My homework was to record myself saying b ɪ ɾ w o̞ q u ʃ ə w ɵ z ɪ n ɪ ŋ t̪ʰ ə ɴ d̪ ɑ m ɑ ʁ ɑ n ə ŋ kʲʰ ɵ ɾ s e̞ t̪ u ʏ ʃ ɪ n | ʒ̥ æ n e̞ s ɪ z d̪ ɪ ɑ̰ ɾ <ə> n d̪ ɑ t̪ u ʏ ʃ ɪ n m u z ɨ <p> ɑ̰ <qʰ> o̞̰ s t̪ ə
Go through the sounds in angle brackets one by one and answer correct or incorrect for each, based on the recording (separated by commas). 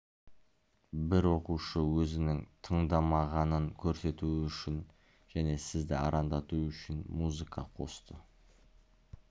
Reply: incorrect, incorrect, correct